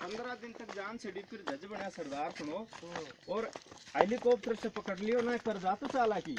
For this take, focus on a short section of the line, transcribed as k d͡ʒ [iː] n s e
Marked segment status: incorrect: aː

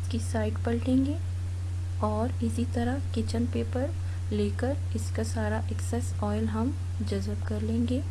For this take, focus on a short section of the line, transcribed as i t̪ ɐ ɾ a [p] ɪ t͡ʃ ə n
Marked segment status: incorrect: k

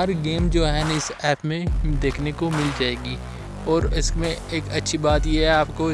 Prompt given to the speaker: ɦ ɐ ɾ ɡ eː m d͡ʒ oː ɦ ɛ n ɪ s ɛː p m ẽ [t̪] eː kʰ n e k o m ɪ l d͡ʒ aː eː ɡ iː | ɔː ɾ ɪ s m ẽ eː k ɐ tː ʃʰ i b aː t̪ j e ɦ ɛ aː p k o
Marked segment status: incorrect: d̪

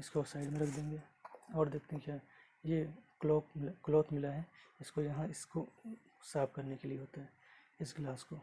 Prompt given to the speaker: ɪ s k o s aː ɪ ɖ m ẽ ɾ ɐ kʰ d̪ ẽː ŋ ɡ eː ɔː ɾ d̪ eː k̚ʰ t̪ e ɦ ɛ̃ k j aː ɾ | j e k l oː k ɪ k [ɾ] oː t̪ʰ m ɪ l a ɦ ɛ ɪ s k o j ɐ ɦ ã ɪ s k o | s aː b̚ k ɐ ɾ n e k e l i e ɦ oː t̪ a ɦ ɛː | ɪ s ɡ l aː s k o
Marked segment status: incorrect: l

